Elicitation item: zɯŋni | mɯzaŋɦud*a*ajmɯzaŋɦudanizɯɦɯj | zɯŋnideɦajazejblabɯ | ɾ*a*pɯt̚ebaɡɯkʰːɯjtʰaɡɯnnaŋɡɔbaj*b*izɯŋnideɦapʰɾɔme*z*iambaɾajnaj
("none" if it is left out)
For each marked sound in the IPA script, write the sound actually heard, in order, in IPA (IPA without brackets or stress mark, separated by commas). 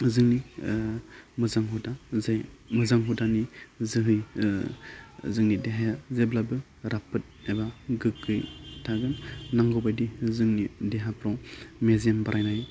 a, a, d, z